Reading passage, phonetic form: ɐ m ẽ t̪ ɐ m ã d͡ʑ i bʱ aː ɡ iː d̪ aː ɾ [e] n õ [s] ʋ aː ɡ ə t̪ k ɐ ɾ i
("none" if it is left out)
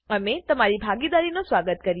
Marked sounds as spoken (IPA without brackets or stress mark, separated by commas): i, s